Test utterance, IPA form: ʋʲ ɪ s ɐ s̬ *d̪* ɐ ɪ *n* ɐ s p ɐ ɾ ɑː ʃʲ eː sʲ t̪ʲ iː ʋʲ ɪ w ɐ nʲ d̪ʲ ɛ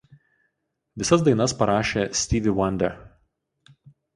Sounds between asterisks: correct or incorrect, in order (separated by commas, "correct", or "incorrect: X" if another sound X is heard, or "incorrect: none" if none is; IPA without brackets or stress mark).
correct, correct